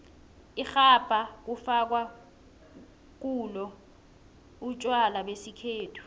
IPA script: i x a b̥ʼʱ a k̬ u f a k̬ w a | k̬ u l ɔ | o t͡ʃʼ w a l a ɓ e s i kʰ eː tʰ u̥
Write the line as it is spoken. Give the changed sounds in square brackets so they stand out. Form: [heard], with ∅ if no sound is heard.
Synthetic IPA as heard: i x a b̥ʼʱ a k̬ u f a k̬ w a | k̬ u l ɔ | [u] t͡ʃʼ w a l a ɓ e s i kʰ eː tʰ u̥